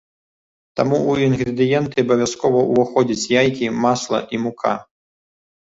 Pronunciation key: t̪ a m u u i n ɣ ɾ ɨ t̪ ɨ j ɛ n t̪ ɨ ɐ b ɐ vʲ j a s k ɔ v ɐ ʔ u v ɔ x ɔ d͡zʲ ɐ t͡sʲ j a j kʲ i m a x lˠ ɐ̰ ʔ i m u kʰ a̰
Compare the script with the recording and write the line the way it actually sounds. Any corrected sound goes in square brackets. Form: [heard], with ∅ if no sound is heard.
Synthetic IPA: t̪ a m u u i n ɣ ɾ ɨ [d̪] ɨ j ɛ n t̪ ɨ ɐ b ɐ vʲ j a s k ɔ v ɐ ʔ u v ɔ x ɔ d͡zʲ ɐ t͡sʲ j a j kʲ i m a [s] lˠ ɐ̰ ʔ i m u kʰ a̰